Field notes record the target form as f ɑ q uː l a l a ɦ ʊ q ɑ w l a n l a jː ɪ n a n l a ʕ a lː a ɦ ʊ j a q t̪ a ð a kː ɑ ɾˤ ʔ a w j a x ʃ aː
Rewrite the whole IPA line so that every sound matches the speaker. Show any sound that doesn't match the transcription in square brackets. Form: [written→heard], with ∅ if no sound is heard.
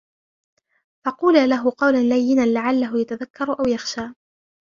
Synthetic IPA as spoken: f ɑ q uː l a l a ɦ ʊ q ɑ w l a n l a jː ɪ n a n l a ʕ a lː a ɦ ʊ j a [q→∅] t̪ a ð a kː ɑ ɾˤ ʔ a w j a x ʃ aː